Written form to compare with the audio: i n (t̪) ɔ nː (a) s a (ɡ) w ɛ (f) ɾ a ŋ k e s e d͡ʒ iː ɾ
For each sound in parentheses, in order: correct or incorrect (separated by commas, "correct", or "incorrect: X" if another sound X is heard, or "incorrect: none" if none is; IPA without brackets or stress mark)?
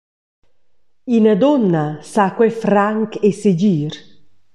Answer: incorrect: d̪, correct, incorrect: k, correct